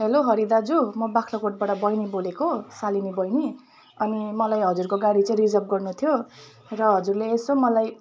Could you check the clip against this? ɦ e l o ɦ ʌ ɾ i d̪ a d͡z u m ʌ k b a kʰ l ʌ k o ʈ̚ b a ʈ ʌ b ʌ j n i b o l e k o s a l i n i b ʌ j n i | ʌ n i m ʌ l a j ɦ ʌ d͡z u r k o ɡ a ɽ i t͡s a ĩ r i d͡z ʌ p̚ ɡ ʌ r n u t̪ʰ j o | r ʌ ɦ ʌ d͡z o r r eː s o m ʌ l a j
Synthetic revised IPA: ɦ e l o ɦ ʌ ɾ i d̪ a d͡z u m ʌ b a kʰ l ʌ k o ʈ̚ b a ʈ ʌ b ʌ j n i b o l e k o s a l i n i b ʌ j n i | ʌ n i m ʌ l a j ɦ ʌ d͡z u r k o ɡ a ɽ i t͡s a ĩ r i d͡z ʌ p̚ ɡ ʌ r n u t̪ʰ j o | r ʌ ɦ ʌ d͡z u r l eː s o m ʌ l a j

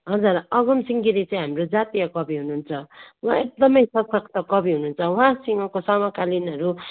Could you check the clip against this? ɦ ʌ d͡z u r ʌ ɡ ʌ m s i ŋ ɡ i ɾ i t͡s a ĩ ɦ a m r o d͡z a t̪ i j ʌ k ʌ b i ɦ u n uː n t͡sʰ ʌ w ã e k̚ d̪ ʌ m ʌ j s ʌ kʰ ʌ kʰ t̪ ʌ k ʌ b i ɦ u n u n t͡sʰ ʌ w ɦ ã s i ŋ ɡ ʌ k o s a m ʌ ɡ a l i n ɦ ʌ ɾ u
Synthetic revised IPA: ɦ ʌ d͡z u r ʌ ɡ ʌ m s i ŋ ɡ i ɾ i t͡s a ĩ ɦ a m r o d͡z a t̪ i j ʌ k ʌ b i ɦ u n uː n t͡sʰ ʌ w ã e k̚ d̪ ʌ m ʌ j s ʌ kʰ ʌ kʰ t̪ ʌ k ʌ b i ɦ u n u n t͡sʰ ʌ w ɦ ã s i ŋ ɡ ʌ k o s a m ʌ k a l i n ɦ ʌ ɾ u

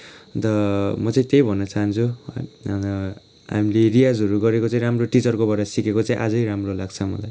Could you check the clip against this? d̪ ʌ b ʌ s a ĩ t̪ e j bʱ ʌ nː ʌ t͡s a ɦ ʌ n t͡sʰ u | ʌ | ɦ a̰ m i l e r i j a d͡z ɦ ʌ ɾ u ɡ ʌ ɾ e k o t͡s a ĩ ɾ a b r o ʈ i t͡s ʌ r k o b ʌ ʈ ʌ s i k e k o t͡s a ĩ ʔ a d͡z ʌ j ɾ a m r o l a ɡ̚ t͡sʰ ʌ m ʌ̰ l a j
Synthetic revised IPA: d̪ ʌ m ʌ t͡s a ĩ t̪ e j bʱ ʌ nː ʌ t͡s a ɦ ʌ n t͡sʰ u | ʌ | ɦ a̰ m i l e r i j a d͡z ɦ ʌ ɾ u ɡ ʌ ɾ e k o t͡s a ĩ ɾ a m r o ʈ i t͡s ʌ r k o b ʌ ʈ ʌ s i k e k o t͡s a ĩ ʔ a d͡z ʌ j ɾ a m r o l a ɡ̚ t͡sʰ ʌ m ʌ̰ l a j

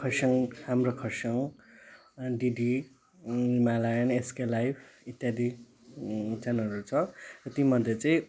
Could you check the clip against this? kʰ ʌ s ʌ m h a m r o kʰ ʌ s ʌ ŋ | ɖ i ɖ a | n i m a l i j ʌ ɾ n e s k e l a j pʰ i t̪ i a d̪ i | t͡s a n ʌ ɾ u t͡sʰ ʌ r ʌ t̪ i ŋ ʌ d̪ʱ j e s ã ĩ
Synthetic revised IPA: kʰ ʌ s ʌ ŋ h a m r o kʰ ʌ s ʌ ŋ | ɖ i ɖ i | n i m a l a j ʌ n e s k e l a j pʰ i t̪ j a d̪ i | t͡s a n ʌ ɾ u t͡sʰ ʌ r ʌ t̪ i m ʌ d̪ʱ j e t͡s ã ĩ

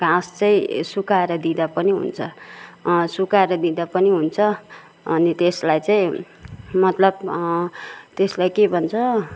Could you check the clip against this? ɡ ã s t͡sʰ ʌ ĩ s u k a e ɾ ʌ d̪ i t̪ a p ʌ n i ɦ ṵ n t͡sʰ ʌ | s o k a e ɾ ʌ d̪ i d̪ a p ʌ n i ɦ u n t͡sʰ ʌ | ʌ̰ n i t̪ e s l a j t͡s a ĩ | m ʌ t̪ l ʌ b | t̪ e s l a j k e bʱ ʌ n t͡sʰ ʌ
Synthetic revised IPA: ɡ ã s t͡s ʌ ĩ s u k a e ɾ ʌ d̪ i d̪ a p ʌ n i ɦ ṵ n t͡sʰ ʌ | s u k a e ɾ ʌ d̪ i d̪ a p ʌ n i ɦ u n t͡sʰ ʌ | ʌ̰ n i t̪ e s l a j t͡s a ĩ | m ʌ t̪ l ʌ b | t̪ e s l a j k e bʱ ʌ n t͡sʰ ʌ

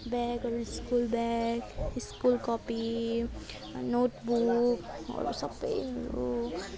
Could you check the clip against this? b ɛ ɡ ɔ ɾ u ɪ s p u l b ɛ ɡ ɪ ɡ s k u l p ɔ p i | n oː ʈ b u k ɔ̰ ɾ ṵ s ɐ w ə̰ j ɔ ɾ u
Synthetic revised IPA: b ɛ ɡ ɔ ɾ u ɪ s k u l b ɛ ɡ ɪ s k u l k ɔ p i | n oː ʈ b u k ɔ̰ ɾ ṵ s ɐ b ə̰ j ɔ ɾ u

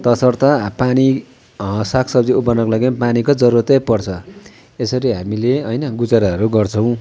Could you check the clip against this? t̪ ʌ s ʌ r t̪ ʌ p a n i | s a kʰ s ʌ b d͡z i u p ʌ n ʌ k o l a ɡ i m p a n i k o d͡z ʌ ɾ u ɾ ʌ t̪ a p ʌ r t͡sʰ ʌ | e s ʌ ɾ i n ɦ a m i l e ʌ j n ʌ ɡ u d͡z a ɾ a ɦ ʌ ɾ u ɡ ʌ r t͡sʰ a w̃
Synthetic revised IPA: t̪ ʌ s ʌ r t̪ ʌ p a n i | s a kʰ s ʌ b d͡z i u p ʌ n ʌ k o l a ɡ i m p a n i k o d͡z ʌ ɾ u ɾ ʌ t̪ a p ʌ r t͡sʰ ʌ | e s ʌ ɾ i ɦ a m i l e ʌ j n ʌ ɡ u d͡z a ɾ a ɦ ʌ ɾ u ɡ ʌ r t͡sʰ ʌ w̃

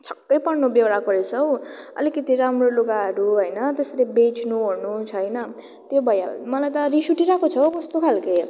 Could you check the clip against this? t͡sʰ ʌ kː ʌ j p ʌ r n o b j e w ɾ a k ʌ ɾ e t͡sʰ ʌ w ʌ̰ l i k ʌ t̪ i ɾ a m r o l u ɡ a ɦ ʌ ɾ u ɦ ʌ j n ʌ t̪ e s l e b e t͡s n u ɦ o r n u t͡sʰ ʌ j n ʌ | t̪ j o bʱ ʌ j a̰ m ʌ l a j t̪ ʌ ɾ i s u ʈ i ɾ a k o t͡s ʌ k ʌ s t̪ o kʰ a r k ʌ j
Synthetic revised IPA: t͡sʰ ʌ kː ʌ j p ʌ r n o b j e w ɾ a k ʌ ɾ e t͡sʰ ʌ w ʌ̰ l i k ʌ t̪ i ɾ a m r o l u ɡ a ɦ ʌ ɾ u ɦ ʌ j n ʌ t̪ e s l e b e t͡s n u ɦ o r n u t͡sʰ ʌ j n ʌ | t̪ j o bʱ ʌ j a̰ m ʌ l a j t̪ ʌ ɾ i s u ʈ i ɾ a k o t͡sʰ ʌ k ʌ s t̪ o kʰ a l k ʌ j

